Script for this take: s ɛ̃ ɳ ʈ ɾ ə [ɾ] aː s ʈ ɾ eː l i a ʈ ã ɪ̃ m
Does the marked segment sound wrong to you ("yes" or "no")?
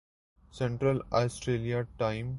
yes